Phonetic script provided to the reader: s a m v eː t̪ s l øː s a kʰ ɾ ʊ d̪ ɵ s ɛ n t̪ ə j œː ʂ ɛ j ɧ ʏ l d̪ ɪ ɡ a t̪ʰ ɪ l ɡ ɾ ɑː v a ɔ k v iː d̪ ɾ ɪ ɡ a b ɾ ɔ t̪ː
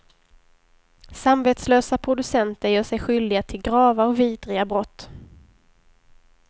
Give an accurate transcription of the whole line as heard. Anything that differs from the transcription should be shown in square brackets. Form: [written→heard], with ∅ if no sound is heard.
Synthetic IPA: s a m v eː t̪ s l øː s a [kʰ→pʰ] ɾ ʊ d̪ ɵ s ɛ n t̪ ə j œː ʂ ɛ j ɧ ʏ l d̪ ɪ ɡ a t̪ʰ ɪ l ɡ ɾ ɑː v a ɔ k v iː d̪ ɾ ɪ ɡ a b ɾ ɔ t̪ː